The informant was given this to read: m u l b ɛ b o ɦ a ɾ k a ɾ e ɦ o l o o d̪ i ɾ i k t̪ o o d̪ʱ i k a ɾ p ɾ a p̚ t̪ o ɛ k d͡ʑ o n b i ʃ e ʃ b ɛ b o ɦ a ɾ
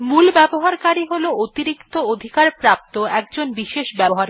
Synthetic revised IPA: m u l b ɛ b o ɦ a ɾ k a ɾ i ɦ o l o o t̪ i ɾ i k t̪ o o d̪ʱ i k a ɾ p ɾ a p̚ t̪ o ɛ k d͡ʑ o n b i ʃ e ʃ b ɛ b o ɦ a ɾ